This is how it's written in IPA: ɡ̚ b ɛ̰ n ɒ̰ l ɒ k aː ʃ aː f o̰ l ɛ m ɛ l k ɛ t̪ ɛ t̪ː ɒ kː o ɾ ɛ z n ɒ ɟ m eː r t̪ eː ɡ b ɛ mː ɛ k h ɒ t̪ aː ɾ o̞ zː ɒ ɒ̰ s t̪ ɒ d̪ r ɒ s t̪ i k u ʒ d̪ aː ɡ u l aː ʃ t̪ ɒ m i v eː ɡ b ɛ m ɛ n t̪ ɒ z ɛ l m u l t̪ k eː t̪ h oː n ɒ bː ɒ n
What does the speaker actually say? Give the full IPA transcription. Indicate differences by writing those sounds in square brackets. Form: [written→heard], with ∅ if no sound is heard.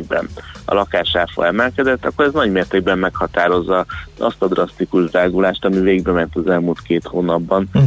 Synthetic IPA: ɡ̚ b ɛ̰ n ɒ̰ l ɒ k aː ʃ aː f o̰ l ɛ m ɛ l k ɛ [t̪→d̪] ɛ t̪ː ɒ kː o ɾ ɛ z n ɒ ɟ m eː r t̪ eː ɡ b ɛ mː ɛ k h ɒ t̪ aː ɾ o̞ zː ɒ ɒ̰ s t̪ ɒ d̪ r ɒ s t̪ i k u ʒ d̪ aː ɡ u l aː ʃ t̪ ɒ m i v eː ɡ b ɛ m ɛ n t̪ ɒ z ɛ l m u l t̪ k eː t̪ h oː n ɒ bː ɒ n